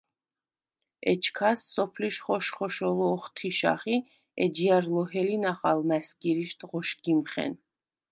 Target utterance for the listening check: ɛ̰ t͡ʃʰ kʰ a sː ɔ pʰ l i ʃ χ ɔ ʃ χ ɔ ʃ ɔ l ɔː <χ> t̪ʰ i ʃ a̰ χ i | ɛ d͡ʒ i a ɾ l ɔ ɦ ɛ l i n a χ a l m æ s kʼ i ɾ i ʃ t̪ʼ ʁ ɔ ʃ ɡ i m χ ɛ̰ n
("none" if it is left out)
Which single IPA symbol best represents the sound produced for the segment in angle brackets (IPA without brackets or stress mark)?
χ